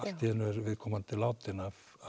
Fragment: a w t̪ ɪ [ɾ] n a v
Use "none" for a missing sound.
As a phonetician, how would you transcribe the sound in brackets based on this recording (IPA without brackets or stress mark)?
none